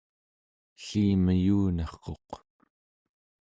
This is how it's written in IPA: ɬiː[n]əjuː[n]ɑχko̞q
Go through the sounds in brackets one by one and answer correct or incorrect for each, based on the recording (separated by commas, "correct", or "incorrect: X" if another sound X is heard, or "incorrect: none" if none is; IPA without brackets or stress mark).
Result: incorrect: m, correct